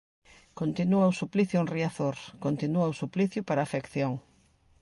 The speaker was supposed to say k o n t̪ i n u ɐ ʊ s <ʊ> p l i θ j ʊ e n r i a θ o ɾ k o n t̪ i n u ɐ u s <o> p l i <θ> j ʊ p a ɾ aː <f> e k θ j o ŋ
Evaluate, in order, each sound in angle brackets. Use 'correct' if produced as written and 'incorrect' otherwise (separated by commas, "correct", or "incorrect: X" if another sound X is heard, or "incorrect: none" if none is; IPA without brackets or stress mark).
incorrect: u, incorrect: u, correct, correct